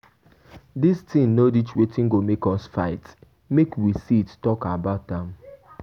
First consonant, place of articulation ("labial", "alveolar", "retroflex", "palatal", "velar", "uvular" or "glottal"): alveolar